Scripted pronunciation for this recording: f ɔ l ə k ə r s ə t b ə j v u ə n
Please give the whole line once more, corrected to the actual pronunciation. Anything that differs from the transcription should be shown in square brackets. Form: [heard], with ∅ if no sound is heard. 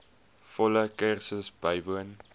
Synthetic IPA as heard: f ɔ l ə k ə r s ə [s] b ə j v u ə n